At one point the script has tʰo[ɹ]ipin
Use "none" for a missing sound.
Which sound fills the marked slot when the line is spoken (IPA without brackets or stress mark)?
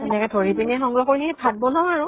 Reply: ɹ